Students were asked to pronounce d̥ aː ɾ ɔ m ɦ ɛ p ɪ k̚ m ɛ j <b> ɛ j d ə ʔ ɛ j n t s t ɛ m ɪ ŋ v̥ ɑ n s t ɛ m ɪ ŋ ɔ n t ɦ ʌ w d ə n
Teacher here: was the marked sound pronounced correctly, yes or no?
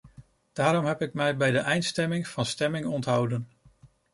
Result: yes